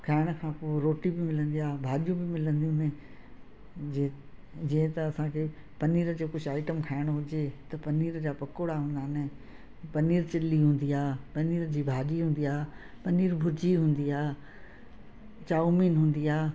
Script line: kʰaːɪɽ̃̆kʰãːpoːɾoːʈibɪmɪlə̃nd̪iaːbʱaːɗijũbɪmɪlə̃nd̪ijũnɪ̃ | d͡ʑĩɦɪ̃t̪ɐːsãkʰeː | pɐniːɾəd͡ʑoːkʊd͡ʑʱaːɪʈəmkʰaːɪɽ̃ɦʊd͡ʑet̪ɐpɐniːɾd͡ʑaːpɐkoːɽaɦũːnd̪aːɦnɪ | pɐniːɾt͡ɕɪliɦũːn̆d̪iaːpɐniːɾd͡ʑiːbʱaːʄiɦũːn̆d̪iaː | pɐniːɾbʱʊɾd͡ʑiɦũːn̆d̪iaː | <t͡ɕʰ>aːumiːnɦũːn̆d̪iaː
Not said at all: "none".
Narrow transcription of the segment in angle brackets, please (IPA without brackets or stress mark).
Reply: t͡ɕ